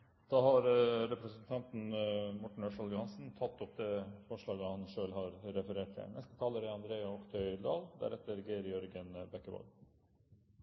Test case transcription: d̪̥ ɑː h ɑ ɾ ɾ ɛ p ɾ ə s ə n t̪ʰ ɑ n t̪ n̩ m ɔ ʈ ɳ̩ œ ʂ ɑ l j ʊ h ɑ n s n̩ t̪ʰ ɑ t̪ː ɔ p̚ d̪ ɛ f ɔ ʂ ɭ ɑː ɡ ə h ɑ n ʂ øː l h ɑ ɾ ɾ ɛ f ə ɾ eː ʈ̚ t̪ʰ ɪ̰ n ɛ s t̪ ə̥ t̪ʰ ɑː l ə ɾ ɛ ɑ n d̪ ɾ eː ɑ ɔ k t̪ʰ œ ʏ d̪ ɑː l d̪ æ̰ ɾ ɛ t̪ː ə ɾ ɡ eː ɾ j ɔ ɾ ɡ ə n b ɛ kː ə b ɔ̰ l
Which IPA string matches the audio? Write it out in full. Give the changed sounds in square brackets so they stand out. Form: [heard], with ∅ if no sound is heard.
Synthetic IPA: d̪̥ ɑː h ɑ ɾ ɾ ɛ p ɾ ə s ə n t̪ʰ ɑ n t̪ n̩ m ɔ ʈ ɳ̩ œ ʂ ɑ l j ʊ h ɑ n s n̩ t̪ʰ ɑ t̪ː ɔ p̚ d̪ ɛ f ɔ ʂ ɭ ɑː ɡ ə h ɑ n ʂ øː l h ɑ ɾ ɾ ɛ f ə ɾ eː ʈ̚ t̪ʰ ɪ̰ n ɛ s t̪ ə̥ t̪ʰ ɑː l ə ɾ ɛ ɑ n d̪ ɾ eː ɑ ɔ k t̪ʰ œ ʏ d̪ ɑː l d̪ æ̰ ɾ ɛ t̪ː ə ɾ ɡ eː ɾ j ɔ ɾ ɡ ə n b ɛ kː ə b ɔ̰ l